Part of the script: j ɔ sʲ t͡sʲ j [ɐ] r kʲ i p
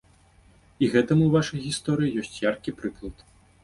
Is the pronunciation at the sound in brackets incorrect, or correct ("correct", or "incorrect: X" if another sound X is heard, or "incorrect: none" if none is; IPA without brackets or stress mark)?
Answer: incorrect: a